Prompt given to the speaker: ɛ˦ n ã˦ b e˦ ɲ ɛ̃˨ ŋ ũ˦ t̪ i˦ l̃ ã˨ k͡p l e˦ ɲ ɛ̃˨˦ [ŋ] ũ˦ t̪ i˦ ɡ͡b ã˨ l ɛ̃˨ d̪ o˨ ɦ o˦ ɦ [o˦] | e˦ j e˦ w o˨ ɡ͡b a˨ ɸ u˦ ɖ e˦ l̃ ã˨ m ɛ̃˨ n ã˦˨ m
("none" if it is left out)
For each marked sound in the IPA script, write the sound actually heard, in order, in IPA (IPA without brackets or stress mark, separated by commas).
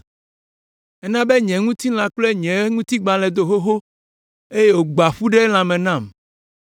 ŋ, o˦